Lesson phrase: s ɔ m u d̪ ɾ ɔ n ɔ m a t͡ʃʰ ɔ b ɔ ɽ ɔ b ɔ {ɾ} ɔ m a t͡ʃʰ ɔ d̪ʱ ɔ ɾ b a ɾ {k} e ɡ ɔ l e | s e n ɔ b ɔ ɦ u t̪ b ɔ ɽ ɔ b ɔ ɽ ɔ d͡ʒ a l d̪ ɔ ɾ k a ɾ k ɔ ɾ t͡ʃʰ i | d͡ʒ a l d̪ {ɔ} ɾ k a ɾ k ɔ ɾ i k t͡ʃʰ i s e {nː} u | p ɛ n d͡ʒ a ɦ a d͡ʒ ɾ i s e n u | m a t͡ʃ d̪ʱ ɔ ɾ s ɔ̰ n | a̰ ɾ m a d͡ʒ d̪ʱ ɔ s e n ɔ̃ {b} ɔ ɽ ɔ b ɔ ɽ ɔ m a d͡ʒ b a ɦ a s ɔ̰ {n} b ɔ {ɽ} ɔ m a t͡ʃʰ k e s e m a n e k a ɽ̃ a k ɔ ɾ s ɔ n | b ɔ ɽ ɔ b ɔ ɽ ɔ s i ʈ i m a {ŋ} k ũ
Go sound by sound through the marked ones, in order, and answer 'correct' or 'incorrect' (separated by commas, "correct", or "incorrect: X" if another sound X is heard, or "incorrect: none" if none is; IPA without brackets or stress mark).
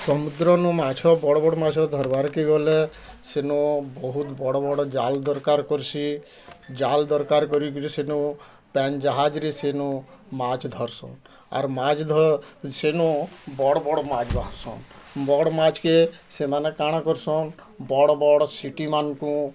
incorrect: ɽ, correct, correct, incorrect: n, correct, correct, correct, incorrect: n